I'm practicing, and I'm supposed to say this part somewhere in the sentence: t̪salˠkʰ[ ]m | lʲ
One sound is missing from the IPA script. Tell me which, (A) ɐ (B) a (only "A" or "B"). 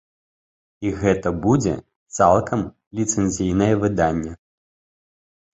A